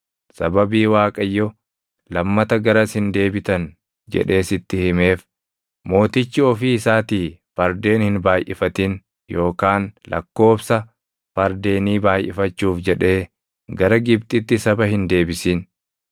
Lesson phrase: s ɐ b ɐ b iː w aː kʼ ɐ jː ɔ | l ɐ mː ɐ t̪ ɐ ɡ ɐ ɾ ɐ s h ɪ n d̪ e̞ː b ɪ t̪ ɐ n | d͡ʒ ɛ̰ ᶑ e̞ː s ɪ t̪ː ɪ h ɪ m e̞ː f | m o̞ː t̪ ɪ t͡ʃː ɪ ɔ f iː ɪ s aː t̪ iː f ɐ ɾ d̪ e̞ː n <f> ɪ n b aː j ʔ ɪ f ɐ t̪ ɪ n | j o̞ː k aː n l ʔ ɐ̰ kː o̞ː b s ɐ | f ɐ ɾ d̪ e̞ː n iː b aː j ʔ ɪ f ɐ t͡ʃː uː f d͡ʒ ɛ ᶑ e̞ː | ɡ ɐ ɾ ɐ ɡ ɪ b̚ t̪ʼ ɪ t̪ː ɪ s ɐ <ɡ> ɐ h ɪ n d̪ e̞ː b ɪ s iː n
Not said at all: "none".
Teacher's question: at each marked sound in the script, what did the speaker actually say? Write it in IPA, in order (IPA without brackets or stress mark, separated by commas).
h, b